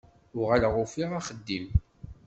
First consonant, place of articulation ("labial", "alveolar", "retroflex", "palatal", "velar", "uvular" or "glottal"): uvular